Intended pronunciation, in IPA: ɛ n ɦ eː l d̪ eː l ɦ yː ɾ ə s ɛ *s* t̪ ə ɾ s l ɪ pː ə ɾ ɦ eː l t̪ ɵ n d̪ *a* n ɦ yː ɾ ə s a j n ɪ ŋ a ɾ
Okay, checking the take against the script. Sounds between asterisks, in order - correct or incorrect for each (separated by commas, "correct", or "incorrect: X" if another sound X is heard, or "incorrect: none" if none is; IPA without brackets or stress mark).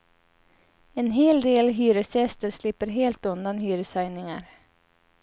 correct, correct